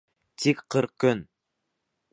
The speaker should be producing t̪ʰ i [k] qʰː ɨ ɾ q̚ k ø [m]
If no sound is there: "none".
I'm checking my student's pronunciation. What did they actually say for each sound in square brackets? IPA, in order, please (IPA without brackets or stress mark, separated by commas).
k, n